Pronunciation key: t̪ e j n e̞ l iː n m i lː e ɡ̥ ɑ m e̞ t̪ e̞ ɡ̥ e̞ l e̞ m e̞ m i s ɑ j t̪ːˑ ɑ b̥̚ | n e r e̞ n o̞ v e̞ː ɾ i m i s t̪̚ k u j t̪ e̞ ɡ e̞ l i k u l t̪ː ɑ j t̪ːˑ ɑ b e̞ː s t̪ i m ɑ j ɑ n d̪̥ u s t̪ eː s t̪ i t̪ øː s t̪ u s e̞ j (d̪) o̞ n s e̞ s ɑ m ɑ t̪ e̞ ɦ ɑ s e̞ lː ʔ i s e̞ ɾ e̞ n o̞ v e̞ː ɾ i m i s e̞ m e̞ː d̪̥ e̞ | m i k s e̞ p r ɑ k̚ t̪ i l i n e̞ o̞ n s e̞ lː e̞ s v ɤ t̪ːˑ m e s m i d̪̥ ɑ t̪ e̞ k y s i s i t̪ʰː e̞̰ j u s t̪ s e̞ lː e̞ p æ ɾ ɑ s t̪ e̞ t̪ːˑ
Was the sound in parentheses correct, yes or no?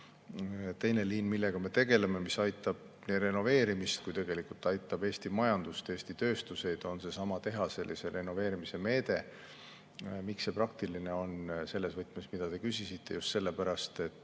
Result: yes